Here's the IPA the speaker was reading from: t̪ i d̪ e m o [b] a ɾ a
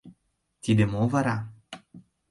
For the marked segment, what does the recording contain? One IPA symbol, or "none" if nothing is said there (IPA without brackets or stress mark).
v